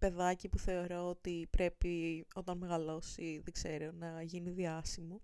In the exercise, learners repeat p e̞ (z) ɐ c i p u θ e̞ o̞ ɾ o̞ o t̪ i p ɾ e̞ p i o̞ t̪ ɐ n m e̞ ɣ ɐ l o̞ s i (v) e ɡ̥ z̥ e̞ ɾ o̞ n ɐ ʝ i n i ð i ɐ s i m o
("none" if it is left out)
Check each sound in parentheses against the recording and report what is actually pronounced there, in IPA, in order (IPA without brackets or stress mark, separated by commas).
ð, ð